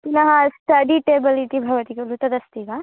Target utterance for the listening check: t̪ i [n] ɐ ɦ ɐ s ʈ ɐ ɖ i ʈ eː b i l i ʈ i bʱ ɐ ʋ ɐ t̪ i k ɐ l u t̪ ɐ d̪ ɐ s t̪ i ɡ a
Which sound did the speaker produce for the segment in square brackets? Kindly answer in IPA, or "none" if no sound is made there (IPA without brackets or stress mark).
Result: n